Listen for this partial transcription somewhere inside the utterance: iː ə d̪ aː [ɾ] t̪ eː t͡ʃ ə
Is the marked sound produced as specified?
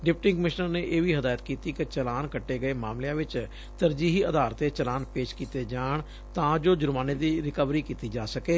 yes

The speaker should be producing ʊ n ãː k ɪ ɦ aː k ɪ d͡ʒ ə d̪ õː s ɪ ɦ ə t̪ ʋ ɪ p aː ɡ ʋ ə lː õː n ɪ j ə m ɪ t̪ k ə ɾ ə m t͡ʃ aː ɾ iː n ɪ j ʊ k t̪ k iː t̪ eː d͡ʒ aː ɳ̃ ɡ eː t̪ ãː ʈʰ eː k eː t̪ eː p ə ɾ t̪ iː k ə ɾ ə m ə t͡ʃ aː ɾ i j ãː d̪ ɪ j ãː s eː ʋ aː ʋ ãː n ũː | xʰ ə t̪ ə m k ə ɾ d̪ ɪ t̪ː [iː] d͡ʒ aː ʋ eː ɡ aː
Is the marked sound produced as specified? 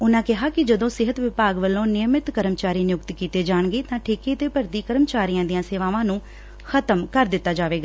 no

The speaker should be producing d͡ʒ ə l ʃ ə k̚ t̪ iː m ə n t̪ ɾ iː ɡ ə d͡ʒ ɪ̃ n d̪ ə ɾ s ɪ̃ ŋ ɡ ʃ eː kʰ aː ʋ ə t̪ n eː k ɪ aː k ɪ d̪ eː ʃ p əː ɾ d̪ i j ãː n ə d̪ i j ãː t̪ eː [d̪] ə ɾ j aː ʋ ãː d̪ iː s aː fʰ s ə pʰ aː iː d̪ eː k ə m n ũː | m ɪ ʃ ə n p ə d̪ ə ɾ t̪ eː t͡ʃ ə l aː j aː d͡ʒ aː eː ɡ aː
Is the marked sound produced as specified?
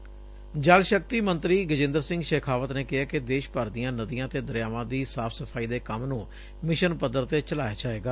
yes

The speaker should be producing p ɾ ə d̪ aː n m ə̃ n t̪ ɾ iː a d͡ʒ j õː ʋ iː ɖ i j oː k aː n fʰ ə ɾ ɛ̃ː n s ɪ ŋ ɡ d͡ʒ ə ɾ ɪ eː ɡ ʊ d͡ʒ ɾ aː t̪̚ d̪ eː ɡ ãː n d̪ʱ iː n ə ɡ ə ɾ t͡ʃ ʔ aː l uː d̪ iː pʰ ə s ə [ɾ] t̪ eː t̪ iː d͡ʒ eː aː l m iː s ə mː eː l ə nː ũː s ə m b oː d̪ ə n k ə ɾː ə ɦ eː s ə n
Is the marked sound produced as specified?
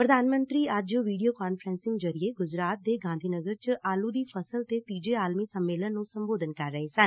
no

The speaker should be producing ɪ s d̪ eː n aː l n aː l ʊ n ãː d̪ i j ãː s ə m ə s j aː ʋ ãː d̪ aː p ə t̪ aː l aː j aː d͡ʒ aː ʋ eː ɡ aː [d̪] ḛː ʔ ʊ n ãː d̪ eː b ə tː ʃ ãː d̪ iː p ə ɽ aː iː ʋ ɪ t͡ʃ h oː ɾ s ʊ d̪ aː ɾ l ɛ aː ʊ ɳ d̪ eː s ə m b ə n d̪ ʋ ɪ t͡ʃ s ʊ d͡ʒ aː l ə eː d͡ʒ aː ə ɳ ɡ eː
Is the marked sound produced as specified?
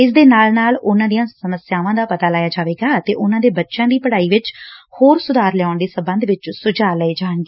no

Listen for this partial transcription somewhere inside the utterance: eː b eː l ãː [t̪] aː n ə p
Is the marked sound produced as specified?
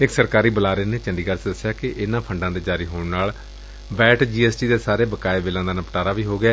no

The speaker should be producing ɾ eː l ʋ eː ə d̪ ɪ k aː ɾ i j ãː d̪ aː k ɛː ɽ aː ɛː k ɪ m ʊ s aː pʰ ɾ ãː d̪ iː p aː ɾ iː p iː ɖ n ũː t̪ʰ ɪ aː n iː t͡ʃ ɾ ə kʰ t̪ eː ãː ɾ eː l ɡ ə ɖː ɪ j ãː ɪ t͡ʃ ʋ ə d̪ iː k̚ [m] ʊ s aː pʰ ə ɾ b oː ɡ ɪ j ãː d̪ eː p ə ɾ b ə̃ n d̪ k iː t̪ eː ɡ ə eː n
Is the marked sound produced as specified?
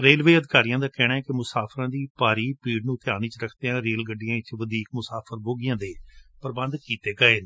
yes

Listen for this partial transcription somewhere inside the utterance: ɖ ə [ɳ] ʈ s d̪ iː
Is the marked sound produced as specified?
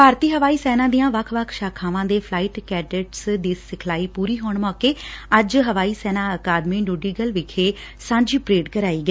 no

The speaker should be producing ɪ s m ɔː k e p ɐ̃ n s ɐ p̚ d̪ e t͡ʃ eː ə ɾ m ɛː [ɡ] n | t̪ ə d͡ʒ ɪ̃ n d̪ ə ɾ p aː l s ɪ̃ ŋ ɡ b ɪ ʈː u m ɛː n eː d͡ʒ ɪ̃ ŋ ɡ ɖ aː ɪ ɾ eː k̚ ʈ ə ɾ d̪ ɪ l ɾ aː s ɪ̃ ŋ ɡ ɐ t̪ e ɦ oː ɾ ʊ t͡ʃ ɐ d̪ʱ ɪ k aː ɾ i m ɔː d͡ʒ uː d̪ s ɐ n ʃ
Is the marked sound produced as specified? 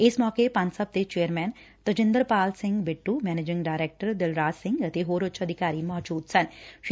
no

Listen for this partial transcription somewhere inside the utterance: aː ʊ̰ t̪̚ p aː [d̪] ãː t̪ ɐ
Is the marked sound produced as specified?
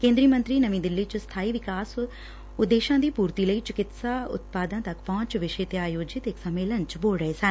yes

